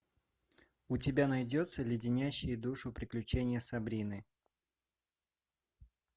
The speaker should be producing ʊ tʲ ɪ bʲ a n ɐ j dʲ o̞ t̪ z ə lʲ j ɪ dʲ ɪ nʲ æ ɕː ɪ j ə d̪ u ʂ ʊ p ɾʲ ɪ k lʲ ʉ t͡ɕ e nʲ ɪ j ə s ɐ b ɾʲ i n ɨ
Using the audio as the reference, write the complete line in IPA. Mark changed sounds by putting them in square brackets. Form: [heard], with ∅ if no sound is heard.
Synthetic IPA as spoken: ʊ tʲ ɪ bʲ a n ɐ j dʲ o̞ t̪ [s] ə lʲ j ɪ dʲ ɪ nʲ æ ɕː ɪ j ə d̪ u ʂ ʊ p ɾʲ ɪ k lʲ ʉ t͡ɕ e nʲ ɪ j ə s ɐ b ɾʲ i n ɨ